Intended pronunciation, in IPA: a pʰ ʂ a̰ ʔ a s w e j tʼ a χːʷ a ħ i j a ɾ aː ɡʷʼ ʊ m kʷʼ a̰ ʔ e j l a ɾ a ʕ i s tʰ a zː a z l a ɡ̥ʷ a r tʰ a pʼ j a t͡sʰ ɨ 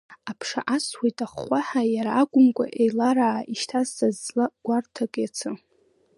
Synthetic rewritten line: a pʰ ʂ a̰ ʔ a s w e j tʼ a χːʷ a ħ a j a ɾ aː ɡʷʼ ʊ m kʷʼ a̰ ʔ e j l a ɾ a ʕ i ʃ tʰ a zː a z l a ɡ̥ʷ a r tʰ a kʼ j a t͡sʰ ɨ